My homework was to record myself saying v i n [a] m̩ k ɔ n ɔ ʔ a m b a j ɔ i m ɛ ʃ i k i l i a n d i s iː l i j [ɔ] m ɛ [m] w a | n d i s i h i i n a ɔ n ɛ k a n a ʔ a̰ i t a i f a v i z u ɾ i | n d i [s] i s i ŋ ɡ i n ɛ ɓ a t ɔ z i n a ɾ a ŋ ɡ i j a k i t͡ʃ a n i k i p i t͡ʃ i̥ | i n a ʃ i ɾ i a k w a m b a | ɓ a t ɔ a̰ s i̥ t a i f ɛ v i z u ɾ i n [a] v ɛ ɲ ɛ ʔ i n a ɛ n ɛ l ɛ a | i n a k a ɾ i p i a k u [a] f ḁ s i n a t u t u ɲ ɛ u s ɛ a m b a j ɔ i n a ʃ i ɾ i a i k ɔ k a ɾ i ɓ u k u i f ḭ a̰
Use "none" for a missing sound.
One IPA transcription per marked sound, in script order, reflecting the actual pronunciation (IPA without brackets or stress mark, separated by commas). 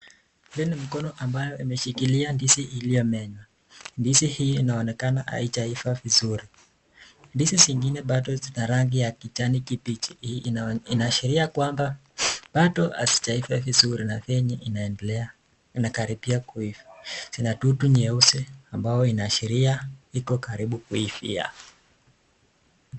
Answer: i, ɔ, ɲ, s, a, i